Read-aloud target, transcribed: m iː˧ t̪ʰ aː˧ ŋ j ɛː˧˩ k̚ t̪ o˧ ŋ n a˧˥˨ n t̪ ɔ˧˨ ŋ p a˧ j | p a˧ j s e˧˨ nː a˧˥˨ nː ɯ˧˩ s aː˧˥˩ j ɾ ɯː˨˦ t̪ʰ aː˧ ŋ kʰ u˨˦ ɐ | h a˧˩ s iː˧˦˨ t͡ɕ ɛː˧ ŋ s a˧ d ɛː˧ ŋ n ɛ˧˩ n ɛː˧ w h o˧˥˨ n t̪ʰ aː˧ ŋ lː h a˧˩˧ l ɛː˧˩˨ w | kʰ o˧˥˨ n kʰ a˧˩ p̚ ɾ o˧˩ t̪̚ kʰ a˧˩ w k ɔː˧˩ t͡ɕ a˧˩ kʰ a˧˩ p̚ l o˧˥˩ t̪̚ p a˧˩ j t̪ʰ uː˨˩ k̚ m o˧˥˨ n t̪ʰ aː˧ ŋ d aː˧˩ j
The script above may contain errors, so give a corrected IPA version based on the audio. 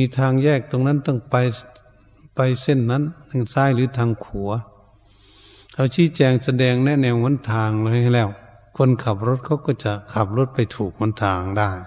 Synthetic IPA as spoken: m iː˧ t̪ʰ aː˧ ŋ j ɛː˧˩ k̚ t̪ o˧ ŋ n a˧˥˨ n t̪ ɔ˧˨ ŋ p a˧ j | p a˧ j s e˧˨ nː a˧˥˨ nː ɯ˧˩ s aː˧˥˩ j l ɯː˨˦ t̪ʰ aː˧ ŋ kʰ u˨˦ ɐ | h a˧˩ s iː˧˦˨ t͡ɕ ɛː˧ ŋ s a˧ d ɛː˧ ŋ n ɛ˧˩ n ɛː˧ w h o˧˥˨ n t̪ʰ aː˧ ŋ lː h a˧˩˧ l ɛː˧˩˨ w | kʰ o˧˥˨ n kʰ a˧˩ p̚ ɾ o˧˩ t̪̚ kʰ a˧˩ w k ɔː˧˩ t͡ɕ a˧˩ kʰ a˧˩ p̚ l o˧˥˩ t̪̚ p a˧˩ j t̪ʰ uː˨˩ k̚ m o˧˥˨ n t̪ʰ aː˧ ŋ d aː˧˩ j